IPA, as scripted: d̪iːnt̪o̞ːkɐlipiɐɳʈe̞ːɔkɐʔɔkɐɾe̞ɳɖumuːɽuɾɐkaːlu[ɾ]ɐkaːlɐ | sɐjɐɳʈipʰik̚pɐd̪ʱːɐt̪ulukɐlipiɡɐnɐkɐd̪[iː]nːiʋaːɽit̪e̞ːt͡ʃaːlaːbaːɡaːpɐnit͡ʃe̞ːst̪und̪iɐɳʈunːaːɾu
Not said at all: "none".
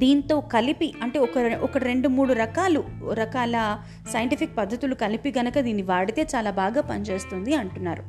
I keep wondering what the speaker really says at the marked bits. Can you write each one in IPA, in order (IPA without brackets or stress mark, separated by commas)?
ɾ, iː